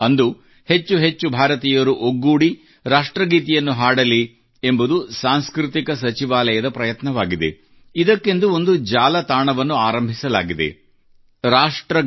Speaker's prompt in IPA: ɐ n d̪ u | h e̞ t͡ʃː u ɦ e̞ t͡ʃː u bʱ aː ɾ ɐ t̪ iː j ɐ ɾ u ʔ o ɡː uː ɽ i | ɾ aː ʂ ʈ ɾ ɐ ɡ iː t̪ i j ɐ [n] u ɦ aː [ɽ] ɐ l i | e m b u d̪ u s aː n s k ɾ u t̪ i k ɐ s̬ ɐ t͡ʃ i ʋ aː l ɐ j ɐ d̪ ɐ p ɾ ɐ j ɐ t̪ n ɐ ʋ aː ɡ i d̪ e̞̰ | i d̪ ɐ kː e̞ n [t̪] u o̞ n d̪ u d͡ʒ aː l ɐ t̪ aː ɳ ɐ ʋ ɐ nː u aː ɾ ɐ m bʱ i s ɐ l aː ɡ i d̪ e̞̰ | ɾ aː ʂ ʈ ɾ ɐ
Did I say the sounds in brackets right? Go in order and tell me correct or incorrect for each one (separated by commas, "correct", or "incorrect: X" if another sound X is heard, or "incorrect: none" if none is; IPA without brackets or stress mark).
incorrect: nː, correct, incorrect: d̪